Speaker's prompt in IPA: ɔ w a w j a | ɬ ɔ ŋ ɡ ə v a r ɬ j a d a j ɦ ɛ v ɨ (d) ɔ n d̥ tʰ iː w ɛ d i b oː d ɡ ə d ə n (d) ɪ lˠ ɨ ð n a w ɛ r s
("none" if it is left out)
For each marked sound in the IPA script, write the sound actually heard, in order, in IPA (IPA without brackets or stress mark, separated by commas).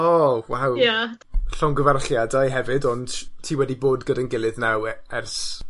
d, ɡ